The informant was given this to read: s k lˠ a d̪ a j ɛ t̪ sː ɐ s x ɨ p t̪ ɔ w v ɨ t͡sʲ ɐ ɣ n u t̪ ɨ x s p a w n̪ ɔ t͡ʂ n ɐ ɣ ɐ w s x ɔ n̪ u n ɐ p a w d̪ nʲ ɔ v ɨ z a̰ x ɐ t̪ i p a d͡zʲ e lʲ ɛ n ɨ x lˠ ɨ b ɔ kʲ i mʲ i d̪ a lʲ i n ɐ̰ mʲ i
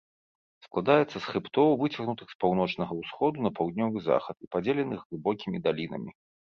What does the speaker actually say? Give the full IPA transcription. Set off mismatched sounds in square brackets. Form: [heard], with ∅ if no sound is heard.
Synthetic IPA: s k lˠ a d̪ a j ɛ t̪ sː ɐ s x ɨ p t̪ ɔ w v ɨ t͡sʲ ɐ ɣ n u t̪ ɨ x s p a w n̪ ɔ t͡ʂ n ɐ ɣ ɐ w s x ɔ [d̪] u n ɐ p a w d̪ nʲ ɔ v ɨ z a̰ x ɐ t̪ i p a d͡zʲ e lʲ ɛ n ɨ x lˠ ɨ b ɔ kʲ i mʲ i d̪ a lʲ i n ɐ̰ mʲ i